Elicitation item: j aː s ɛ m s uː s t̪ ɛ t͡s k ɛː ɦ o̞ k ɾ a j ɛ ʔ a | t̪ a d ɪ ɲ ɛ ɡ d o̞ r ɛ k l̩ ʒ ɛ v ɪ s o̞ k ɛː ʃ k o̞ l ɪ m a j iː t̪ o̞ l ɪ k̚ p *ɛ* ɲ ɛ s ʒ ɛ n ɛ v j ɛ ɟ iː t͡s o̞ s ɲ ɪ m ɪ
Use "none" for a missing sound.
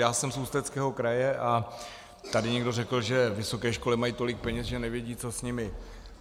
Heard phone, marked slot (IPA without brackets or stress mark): ɛ